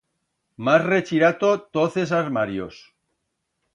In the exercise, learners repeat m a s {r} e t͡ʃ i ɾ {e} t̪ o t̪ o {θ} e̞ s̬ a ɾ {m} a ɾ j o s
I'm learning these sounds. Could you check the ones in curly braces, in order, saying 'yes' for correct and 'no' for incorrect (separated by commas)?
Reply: yes, no, yes, yes